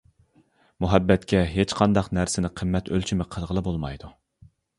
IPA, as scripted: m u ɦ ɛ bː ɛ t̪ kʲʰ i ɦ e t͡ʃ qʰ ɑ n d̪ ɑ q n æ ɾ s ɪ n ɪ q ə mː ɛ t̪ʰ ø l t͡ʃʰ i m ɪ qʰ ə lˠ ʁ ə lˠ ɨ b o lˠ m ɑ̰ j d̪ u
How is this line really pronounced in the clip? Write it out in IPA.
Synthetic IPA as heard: m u ɦ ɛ bː ɛ t̪ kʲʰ ɛ ɦ e t͡ʃ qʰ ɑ n d̪ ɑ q n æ ɾ s ɪ n ɪ qʰ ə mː ɛ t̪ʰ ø l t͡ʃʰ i m ɪ qʰ ə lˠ ʁ ə lˠ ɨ b o lˠ m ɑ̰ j d̪ u